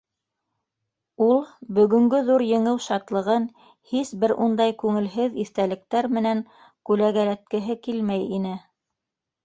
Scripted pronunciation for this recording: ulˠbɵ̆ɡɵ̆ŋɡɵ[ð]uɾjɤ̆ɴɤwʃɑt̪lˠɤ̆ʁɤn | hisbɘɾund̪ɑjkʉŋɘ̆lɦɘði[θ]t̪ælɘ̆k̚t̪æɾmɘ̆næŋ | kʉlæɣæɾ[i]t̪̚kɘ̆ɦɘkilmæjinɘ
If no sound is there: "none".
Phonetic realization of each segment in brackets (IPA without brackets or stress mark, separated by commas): ð, θ, æ